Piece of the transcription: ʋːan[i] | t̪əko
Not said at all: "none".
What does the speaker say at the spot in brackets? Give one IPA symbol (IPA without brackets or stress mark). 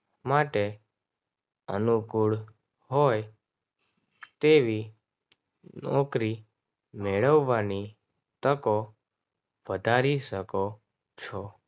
i